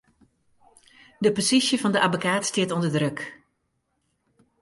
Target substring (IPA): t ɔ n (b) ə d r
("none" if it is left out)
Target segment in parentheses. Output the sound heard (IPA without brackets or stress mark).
d